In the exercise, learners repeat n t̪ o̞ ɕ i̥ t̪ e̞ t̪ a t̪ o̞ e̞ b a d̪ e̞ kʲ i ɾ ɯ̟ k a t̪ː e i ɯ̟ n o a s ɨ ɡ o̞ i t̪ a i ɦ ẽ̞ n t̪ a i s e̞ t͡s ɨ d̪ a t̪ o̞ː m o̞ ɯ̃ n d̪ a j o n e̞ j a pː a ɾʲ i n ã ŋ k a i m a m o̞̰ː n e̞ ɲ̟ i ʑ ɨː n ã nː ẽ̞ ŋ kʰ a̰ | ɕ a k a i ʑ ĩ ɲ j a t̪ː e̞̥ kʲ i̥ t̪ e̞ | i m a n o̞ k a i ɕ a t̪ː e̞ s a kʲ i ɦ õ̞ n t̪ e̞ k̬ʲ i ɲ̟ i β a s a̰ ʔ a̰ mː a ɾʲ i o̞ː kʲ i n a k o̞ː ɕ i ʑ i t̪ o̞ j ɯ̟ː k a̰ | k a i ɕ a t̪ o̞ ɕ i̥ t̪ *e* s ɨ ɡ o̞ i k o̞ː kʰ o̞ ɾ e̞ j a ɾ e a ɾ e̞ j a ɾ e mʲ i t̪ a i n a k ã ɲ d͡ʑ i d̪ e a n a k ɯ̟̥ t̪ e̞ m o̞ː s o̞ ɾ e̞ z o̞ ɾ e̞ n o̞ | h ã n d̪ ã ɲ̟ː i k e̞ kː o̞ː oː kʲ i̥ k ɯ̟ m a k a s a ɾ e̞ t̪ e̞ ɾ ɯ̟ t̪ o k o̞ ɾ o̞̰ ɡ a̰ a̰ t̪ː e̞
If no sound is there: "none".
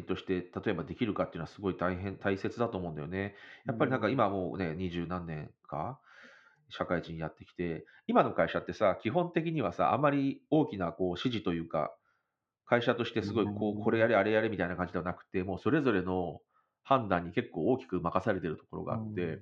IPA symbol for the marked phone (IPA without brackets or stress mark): e